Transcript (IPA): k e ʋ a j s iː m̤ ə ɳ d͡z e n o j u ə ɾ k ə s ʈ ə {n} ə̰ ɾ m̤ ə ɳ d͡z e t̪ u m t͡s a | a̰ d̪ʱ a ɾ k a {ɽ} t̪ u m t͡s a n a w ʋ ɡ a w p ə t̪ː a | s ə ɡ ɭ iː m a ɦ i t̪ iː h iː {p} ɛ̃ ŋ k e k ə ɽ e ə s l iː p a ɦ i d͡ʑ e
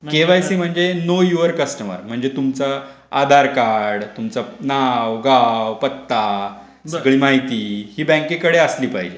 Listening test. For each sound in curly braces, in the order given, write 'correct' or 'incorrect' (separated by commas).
incorrect, correct, incorrect